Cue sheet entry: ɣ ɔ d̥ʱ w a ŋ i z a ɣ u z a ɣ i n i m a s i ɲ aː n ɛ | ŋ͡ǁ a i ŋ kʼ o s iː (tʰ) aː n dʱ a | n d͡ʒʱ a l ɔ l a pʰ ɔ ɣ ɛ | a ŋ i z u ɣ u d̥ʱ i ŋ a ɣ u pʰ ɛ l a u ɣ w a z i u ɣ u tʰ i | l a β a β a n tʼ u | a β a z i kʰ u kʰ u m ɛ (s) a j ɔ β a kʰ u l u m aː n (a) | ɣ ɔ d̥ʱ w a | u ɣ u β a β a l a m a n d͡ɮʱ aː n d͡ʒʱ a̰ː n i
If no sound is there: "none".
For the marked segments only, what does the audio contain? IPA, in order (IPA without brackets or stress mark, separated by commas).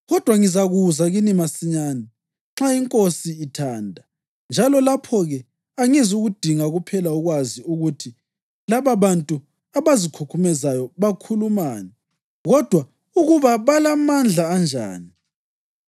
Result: tʰ, z, ɛ